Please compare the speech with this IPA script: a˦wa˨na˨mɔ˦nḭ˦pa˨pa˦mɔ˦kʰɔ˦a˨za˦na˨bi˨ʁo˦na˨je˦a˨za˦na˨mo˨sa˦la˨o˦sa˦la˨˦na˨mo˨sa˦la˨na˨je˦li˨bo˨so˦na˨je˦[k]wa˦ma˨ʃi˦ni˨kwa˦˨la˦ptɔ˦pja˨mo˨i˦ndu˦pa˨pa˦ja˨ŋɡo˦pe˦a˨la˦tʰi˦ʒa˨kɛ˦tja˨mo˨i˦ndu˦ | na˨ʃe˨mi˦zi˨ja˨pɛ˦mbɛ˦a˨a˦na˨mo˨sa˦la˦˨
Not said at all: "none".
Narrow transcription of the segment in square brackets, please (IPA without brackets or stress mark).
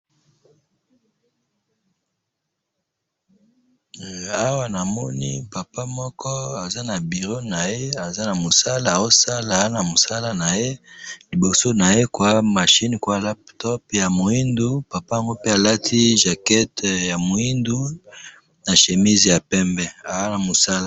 k